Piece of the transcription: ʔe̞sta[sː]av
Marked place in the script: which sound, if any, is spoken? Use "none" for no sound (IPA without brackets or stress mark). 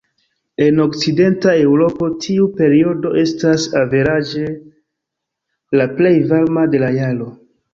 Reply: s